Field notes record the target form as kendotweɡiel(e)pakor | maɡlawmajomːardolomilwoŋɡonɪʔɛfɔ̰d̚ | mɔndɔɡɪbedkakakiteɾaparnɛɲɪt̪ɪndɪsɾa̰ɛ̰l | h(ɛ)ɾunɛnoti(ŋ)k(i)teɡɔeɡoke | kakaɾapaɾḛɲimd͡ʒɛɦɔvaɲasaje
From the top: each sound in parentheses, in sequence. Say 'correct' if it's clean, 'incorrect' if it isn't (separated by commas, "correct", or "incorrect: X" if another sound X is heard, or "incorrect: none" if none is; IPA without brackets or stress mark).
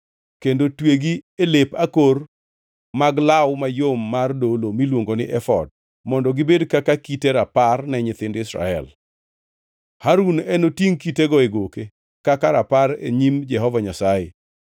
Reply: correct, incorrect: a, correct, correct